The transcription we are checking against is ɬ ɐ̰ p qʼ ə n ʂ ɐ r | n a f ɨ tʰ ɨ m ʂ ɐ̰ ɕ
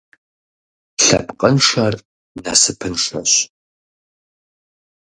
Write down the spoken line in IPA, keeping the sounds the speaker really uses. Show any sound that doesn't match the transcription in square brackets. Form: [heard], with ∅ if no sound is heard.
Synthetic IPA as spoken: ɬ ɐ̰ p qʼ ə n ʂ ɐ r | n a [s] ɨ [pʰ] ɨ [n] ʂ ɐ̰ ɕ

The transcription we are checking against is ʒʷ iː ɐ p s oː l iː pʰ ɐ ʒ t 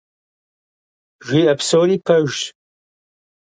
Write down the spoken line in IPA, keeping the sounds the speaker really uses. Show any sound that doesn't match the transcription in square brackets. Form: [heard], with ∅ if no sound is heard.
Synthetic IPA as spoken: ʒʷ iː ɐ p s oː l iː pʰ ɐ ʒ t

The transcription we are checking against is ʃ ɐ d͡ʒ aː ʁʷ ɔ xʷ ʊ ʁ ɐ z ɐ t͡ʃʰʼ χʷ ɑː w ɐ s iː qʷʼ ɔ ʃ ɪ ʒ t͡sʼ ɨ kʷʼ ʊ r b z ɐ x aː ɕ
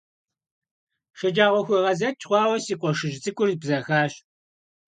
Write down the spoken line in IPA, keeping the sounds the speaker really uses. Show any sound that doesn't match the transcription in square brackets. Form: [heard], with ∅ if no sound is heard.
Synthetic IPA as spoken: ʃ ɐ d͡ʒ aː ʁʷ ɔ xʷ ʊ ʁ ɐ z ɐ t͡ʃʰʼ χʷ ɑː w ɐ s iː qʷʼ ɔ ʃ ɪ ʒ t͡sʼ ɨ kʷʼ ʊ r b z ɐ x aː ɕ

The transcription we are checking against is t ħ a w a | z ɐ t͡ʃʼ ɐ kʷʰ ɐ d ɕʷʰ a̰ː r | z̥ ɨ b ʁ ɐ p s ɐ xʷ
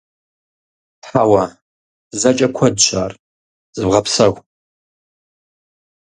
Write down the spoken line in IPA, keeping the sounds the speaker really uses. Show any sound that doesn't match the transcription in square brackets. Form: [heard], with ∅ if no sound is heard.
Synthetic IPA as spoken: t ħ a w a | z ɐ t͡ʃʼ ɐ kʷʰ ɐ d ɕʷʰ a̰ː r | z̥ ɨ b ʁ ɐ p s ɐ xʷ

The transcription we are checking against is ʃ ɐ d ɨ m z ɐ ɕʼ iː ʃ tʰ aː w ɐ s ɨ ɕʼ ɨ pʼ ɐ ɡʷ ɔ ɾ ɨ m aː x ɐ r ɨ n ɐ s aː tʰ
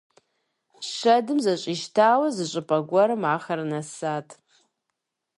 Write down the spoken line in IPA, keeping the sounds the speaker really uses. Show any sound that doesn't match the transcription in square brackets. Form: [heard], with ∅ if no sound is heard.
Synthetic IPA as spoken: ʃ ɐ d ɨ m z ɐ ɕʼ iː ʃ tʰ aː w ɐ [z] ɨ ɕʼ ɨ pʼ ɐ ɡʷ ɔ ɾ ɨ m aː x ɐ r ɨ n ɐ s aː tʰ

